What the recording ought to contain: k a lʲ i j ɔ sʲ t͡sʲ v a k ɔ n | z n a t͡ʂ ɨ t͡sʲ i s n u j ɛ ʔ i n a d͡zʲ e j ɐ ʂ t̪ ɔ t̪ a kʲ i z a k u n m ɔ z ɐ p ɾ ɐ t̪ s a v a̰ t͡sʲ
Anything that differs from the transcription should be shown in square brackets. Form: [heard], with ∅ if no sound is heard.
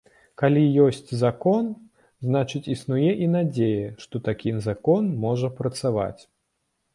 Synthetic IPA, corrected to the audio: k a lʲ i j ɔ sʲ t͡sʲ [z] a k ɔ n | z n a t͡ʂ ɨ t͡sʲ i s n u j ɛ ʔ i n a d͡zʲ e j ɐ ʂ t̪ ɔ t̪ a kʲ i z a k [ɔ] n m ɔ [ʐ] ɐ p ɾ ɐ t̪ s a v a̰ t͡sʲ